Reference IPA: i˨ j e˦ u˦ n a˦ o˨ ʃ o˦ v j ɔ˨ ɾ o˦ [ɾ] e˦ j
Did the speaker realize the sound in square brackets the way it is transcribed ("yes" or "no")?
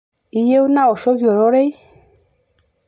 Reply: yes